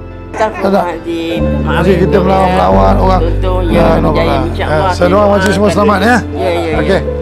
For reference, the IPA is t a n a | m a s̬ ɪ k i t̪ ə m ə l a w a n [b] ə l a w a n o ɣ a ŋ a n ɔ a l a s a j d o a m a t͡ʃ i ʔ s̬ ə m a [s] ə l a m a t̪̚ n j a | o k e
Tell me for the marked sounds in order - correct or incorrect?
incorrect: m, correct

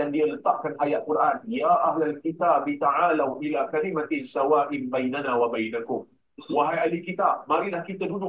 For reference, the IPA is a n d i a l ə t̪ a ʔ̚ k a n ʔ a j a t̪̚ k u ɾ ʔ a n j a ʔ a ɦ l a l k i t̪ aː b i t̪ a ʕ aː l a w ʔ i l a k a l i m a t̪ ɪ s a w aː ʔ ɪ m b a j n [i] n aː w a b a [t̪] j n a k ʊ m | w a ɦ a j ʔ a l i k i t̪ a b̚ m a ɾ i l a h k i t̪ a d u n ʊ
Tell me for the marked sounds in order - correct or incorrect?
incorrect: a, incorrect: none

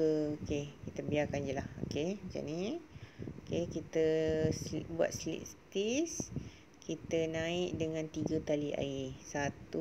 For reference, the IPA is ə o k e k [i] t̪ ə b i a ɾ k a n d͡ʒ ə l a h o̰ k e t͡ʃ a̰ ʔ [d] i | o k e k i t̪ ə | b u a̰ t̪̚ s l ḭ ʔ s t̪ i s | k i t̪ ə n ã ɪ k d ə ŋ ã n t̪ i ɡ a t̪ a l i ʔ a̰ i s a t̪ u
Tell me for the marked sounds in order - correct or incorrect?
correct, incorrect: n

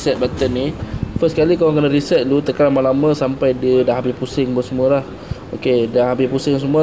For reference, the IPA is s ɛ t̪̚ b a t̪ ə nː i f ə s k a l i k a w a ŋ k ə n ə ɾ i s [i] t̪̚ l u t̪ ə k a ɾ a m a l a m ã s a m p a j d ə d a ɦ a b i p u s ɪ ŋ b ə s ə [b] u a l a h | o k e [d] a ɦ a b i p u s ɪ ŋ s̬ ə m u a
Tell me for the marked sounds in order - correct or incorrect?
incorrect: ɛ, incorrect: m, correct

